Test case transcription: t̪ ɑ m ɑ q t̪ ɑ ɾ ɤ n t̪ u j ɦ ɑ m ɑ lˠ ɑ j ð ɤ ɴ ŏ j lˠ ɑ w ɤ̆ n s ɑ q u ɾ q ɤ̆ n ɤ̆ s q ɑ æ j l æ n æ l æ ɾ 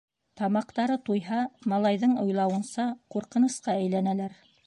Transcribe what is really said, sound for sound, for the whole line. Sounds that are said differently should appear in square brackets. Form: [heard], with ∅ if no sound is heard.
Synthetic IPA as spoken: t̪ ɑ m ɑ q t̪ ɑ ɾ ɤ [∅] t̪ u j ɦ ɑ m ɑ lˠ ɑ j ð ɤ ɴ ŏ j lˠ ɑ w ɤ̆ n s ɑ q u ɾ q ɤ̆ n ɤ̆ s q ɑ æ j l æ n æ l æ ɾ